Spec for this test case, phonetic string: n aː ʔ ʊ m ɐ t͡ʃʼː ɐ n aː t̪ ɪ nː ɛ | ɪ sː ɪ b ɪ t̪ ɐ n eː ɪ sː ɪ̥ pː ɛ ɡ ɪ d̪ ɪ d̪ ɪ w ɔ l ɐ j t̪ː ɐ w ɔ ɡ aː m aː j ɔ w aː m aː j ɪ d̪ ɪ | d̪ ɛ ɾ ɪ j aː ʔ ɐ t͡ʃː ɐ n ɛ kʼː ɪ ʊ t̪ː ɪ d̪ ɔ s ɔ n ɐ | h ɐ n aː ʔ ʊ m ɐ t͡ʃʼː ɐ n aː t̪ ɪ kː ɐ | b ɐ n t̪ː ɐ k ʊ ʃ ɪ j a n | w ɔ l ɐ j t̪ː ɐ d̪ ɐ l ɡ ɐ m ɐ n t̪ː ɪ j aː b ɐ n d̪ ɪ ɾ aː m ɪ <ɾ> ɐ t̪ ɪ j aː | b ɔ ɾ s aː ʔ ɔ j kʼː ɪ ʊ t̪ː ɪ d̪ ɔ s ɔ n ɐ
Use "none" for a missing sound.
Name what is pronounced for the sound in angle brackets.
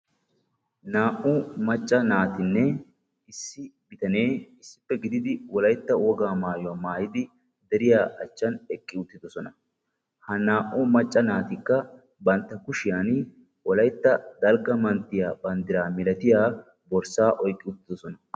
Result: l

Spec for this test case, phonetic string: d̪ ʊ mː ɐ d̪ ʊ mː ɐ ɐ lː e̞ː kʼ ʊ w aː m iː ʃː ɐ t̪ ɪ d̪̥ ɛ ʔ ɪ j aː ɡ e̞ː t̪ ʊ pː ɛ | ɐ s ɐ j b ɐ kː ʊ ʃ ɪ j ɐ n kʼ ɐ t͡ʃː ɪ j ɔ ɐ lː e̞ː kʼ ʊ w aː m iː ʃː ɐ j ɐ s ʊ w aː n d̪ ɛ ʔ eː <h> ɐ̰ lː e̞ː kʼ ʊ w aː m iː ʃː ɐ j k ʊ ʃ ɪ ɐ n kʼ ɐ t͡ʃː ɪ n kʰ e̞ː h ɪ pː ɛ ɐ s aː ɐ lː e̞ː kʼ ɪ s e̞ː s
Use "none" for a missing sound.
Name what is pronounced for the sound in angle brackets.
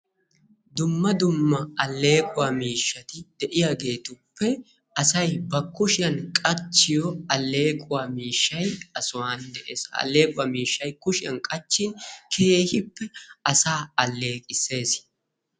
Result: s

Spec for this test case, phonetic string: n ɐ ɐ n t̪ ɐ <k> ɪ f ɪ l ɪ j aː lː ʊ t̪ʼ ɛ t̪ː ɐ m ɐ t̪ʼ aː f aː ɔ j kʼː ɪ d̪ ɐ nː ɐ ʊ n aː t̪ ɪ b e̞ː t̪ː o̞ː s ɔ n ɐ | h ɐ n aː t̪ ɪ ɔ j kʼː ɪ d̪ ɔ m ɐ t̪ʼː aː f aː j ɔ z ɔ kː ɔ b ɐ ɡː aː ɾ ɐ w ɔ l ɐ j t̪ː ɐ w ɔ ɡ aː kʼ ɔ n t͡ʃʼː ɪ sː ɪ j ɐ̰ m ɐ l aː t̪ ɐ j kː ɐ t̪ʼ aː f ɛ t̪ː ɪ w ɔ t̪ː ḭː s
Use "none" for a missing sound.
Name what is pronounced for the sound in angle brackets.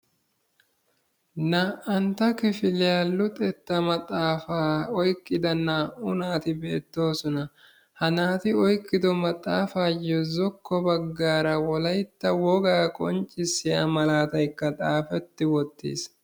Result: k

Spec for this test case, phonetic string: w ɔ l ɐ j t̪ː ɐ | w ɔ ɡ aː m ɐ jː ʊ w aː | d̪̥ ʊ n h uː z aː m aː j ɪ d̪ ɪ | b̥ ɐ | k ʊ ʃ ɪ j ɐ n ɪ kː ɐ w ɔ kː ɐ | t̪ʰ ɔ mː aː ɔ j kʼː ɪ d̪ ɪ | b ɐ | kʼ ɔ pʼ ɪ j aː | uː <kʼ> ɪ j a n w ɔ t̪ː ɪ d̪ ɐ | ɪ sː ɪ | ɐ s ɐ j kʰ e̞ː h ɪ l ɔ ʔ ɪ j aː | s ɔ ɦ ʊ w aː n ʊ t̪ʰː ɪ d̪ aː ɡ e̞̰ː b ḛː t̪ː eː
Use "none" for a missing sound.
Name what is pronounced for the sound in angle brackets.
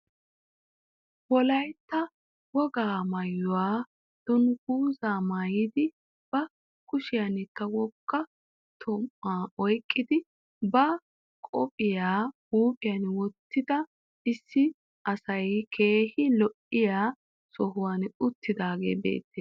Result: pʼ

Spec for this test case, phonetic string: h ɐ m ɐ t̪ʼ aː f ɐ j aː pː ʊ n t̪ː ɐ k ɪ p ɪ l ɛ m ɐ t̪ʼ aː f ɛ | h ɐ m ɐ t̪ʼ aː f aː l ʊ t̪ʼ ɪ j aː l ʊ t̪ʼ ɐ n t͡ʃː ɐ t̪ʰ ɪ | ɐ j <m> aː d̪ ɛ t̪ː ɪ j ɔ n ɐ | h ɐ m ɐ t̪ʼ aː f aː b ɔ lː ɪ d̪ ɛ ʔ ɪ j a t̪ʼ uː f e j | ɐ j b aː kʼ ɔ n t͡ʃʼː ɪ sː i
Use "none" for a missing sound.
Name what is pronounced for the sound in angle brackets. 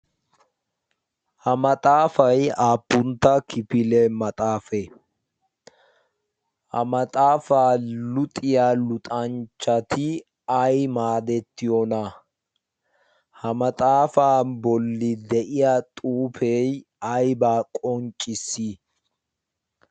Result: m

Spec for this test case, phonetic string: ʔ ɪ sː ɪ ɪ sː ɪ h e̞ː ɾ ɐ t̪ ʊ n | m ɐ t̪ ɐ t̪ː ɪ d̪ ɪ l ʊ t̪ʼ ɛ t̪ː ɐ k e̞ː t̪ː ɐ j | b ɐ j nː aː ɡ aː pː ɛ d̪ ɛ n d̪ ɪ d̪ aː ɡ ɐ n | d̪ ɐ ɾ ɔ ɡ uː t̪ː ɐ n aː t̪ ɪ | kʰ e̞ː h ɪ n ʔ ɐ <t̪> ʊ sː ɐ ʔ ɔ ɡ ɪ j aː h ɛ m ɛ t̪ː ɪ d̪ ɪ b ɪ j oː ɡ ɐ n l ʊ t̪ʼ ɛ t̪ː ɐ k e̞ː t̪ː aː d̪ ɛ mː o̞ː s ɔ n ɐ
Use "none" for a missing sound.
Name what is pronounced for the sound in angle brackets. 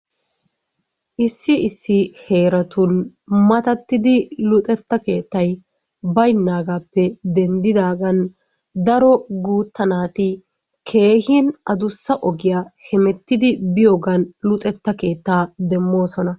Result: d̪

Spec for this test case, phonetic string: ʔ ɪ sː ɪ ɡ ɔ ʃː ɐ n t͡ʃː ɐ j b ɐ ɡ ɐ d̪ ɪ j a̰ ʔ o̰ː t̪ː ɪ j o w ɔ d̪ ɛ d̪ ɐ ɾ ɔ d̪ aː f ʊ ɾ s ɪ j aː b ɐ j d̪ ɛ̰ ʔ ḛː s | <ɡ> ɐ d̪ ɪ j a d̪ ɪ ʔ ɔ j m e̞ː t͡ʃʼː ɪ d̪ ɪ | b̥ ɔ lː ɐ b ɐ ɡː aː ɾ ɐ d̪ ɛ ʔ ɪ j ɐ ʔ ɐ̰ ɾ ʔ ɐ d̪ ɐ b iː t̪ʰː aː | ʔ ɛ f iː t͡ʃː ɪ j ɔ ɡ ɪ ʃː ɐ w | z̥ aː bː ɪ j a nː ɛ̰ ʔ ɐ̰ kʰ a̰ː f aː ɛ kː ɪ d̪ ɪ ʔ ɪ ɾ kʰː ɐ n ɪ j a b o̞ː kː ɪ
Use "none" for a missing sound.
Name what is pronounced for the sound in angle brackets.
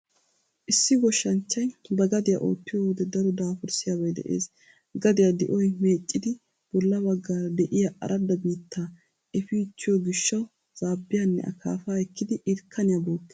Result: ɡ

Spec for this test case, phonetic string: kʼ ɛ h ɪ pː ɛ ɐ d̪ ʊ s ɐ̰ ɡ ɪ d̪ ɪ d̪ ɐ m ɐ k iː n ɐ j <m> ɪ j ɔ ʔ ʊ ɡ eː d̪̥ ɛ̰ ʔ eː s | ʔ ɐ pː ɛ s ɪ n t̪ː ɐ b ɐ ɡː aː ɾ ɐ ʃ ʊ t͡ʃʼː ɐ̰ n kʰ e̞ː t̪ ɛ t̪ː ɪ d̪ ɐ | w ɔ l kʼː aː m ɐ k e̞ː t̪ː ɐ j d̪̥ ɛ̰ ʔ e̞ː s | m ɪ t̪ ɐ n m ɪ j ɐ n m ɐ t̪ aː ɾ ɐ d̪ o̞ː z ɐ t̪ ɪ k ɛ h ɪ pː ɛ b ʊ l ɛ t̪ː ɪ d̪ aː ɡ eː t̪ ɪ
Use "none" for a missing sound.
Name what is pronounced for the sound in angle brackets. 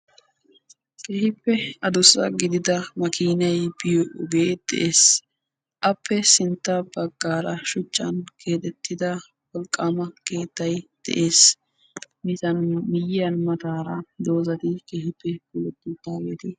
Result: b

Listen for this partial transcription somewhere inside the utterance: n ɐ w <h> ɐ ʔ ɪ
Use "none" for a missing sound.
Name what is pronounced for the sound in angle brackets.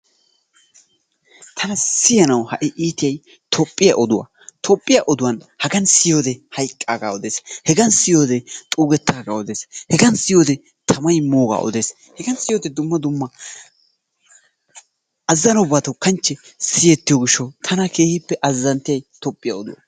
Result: h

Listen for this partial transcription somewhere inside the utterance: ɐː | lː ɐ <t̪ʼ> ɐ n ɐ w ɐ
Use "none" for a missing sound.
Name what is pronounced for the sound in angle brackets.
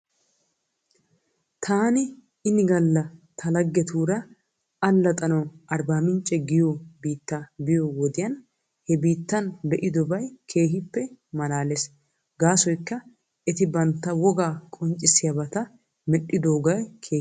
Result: t̪ʼ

